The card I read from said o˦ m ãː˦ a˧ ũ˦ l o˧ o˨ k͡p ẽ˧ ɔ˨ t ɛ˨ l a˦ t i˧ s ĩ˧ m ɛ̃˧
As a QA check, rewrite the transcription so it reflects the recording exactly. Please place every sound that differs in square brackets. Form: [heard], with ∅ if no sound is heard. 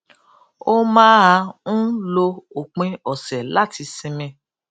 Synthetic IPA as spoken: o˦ m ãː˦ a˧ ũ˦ l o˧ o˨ k͡p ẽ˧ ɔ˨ [s] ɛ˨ l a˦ t i˧ s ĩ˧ m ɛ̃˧

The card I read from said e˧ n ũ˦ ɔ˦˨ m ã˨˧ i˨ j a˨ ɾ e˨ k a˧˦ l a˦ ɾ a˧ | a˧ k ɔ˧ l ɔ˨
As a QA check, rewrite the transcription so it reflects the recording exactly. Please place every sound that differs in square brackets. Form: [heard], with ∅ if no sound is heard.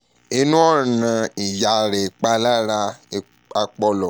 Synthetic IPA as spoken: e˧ n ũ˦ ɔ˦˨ [n] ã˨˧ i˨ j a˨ ɾ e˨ [k͡p] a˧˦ l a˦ ɾ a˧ | a˧ [k͡p] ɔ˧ l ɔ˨

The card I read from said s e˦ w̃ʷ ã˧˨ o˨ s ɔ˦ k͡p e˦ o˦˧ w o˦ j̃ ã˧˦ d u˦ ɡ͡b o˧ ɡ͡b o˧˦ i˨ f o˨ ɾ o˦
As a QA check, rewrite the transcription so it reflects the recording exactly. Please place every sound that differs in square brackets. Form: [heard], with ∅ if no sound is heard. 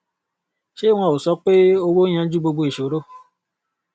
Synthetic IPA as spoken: [ʃ] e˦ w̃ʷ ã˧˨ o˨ s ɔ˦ k͡p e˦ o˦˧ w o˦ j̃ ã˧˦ [d͡ʒ] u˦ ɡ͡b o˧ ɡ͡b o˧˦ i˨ [ʃ] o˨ ɾ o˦

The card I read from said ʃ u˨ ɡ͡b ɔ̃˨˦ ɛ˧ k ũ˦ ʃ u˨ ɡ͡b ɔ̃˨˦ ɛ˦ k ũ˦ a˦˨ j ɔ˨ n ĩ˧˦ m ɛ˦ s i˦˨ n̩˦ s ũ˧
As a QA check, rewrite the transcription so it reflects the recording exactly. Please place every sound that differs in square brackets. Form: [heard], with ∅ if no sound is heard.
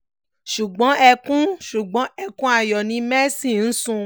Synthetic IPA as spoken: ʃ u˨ ɡ͡b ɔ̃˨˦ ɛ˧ k ũ˦ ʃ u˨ ɡ͡b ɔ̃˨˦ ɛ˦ k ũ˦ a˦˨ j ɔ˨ n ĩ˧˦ m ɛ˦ s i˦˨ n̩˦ s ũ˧

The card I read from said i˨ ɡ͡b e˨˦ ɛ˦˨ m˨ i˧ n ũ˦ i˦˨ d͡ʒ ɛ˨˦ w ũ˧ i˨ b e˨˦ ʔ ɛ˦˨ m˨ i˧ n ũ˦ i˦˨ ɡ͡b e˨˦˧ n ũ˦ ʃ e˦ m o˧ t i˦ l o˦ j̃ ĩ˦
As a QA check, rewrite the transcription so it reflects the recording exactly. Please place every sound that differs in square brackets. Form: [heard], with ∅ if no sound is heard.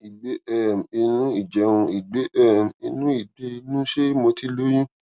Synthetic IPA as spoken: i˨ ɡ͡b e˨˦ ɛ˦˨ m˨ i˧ n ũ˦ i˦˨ d͡ʒ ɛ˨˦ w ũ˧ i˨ [ɡ͡b] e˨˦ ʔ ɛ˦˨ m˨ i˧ n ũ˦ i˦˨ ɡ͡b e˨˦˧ n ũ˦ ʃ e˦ m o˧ t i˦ l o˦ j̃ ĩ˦

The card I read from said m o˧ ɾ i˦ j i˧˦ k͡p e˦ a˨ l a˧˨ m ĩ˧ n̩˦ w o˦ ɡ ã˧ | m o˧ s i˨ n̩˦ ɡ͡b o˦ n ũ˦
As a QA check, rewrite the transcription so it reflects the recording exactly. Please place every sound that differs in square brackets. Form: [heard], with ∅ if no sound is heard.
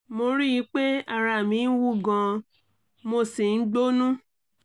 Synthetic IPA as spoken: m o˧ ɾ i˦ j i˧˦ k͡p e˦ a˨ [ɾ] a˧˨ m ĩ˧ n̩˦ w [u˦] ɡ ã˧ | m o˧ s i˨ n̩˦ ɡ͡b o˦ n ũ˦

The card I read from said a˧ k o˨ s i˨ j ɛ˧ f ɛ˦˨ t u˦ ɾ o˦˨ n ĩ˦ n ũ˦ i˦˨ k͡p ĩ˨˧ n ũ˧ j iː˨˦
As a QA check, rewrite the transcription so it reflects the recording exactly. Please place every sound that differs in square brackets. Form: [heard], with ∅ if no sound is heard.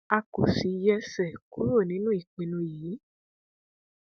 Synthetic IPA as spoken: a˧ k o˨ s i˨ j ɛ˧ [s] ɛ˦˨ [k] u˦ ɾ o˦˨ n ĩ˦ n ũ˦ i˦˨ k͡p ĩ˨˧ n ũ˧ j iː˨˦

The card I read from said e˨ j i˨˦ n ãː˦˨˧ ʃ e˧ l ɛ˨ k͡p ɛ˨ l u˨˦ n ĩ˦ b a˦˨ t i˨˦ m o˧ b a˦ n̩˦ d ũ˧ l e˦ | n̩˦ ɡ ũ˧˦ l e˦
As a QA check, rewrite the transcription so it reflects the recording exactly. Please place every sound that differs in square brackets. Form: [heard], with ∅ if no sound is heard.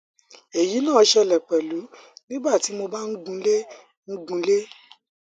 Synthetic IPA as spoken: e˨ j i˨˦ n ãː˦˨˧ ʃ [ɛ˧] l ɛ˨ k͡p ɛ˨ l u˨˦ n ĩ˦ b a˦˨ t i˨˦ m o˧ b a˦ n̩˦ [ɡ] ũ˧ l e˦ | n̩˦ ɡ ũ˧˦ l e˦

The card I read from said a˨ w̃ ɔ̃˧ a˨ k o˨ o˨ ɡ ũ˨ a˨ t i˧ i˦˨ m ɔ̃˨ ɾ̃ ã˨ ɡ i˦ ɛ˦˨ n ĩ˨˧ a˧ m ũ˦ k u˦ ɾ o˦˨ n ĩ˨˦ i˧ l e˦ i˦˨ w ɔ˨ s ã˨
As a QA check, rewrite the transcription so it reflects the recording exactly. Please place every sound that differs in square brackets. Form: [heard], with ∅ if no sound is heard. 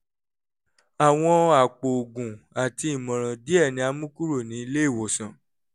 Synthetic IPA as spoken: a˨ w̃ ɔ̃˧ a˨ [k͡p] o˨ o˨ ɡ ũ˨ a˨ t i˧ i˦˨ m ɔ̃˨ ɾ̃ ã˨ [d] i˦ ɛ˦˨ n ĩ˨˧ a˧ m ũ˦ k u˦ ɾ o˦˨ n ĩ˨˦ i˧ l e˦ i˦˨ w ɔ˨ s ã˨

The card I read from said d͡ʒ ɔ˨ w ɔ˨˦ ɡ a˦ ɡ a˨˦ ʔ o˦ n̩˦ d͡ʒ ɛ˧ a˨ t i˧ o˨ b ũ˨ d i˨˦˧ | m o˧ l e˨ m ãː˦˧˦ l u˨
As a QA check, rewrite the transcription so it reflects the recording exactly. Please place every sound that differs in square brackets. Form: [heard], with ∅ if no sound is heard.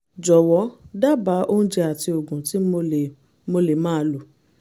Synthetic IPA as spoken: d͡ʒ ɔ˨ w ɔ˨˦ [d] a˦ [b] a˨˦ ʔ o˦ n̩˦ d͡ʒ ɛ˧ a˨ t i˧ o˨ [ɡ] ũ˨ [t] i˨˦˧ | m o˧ l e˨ m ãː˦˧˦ l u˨

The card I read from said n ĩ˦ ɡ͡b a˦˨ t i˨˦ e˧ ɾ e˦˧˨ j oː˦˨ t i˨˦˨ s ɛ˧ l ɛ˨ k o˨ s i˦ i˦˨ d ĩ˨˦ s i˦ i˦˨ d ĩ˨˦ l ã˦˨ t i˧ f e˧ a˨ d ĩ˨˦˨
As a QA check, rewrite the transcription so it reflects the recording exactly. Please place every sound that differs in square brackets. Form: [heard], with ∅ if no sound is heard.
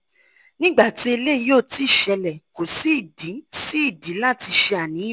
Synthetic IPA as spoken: n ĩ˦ ɡ͡b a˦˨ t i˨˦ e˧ [l] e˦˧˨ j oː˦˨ t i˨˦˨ [ʃ] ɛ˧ l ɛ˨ k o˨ s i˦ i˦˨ d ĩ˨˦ s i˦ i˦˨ d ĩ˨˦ l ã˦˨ t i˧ [ʃ] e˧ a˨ [n] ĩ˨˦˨

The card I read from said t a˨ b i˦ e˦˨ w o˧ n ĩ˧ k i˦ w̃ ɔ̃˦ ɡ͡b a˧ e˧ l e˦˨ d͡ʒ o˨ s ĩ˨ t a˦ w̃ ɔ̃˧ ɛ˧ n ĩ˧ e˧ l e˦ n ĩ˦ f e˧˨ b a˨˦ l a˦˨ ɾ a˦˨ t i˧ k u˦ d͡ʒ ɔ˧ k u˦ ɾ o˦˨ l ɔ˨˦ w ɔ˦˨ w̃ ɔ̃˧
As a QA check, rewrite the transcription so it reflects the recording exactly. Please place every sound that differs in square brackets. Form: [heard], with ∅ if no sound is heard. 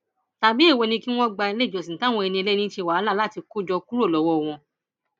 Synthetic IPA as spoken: t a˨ b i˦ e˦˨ w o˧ n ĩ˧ k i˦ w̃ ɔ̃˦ ɡ͡b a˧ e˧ l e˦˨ d͡ʒ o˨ s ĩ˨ t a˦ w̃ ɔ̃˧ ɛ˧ n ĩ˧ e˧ l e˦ n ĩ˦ [ʃ] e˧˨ [w] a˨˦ l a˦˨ [l] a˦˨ t i˧ k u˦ d͡ʒ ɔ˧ k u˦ ɾ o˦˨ l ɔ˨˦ w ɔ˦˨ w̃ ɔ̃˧

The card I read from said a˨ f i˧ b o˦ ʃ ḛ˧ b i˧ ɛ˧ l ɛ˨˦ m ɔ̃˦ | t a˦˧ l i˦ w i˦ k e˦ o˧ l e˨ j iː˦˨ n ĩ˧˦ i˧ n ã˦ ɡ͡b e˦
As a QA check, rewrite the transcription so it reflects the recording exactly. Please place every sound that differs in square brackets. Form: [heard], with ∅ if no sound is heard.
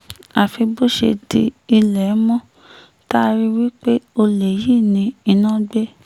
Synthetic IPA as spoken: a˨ f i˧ b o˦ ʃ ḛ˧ [d] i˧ [i˧] l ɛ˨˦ m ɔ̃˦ | t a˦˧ [ɾ] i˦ w i˦ [k͡p] e˦ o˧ l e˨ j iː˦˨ n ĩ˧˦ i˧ n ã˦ ɡ͡b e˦

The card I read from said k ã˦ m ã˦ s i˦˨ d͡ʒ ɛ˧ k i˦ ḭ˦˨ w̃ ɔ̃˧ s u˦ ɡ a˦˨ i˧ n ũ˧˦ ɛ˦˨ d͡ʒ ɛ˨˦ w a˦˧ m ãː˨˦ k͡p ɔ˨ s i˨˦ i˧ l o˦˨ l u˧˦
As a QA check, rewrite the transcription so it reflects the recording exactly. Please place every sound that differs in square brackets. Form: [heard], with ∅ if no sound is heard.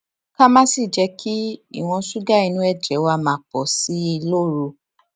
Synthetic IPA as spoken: k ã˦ m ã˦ s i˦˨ d͡ʒ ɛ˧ k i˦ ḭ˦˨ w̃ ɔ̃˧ s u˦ ɡ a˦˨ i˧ n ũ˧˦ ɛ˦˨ d͡ʒ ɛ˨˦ w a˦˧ m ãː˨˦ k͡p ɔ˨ s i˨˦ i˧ l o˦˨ [ɾ] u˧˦

